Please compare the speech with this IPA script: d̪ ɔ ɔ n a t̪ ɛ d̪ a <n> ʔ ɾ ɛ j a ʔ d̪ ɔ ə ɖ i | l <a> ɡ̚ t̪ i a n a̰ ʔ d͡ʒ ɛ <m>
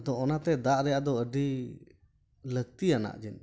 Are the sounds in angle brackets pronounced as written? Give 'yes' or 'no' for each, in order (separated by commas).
no, no, no